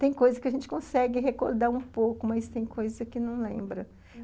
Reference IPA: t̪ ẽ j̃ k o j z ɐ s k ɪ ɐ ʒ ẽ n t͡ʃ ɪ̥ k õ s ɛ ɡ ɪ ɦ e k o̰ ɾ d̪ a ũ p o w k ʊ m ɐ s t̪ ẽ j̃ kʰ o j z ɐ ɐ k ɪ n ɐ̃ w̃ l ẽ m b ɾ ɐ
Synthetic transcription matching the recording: t̪ ẽ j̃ k o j z ɐ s k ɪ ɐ ʒ ẽ n t͡ʃ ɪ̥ k õ s ɛ ɡ ɪ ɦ e k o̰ ɾ d̪ a ũ p o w k ʊ m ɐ s t̪ ẽ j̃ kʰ o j z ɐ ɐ k ɪ n ɐ̃ w̃ l ẽ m b ɾ ɐ